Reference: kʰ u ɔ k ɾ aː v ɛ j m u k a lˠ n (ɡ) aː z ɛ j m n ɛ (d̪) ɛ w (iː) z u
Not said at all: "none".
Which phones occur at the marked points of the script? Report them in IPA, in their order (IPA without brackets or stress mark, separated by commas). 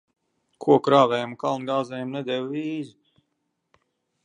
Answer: ɡ, d̪, iː